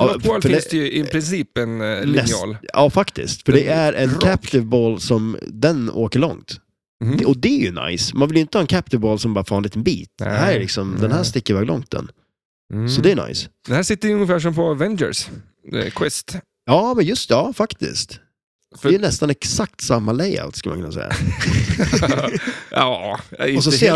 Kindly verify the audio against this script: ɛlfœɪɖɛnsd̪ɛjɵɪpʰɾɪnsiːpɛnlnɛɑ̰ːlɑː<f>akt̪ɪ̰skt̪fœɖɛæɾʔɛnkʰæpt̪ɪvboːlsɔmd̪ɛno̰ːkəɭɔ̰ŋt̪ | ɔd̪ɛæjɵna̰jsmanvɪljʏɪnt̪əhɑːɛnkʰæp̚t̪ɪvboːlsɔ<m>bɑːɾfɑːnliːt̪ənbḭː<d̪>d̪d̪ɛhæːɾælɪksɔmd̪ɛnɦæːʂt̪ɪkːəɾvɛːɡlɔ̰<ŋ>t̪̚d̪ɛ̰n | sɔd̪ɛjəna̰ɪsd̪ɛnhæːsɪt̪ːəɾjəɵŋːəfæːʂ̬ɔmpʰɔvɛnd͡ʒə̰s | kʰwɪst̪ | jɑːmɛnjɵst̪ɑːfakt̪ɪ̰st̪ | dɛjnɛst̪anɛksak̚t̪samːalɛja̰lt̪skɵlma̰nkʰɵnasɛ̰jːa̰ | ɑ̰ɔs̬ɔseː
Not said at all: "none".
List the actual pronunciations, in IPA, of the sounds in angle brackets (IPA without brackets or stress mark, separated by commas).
f, m, t̪, ŋ